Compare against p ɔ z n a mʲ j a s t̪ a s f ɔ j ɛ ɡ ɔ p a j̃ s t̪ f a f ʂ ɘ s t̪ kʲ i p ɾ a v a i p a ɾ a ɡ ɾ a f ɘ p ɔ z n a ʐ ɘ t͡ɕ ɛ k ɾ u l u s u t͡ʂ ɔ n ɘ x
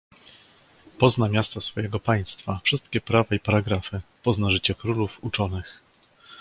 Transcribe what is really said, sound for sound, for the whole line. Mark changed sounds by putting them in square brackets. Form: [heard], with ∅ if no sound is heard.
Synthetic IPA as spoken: p ɔ z n a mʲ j a s t̪ a s f ɔ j ɛ ɡ ɔ p a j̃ s t̪ f a f ʂ ɘ s t̪ kʲ [ɛ] p ɾ a v a i p a ɾ a ɡ ɾ a f ɘ p ɔ z n a ʐ ɘ t͡ɕ ɛ k ɾ u l u [f] u t͡ʂ ɔ n ɘ x